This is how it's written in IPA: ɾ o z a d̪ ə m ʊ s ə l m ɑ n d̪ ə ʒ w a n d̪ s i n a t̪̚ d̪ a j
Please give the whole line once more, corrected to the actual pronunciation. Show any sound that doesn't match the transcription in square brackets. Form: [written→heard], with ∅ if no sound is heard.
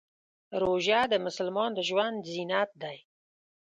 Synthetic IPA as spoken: ɾ o [z→ʒ] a d̪ ə m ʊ s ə l m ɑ n d̪ ə ʒ w a n d̪ [s→z] i n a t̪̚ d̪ a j